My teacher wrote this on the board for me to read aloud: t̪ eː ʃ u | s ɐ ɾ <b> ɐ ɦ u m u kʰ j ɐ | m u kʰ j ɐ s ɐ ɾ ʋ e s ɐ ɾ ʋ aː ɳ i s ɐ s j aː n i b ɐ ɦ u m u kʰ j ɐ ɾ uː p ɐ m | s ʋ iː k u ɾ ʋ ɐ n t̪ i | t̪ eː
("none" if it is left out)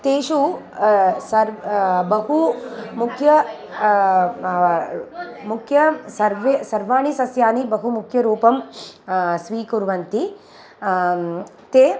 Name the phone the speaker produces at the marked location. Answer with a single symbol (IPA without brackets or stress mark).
b